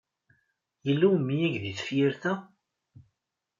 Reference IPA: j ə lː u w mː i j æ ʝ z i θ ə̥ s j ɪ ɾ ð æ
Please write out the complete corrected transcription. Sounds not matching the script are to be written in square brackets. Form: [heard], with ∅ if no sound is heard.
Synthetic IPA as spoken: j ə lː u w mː i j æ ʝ [ð] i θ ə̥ [f] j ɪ ɾ [θ] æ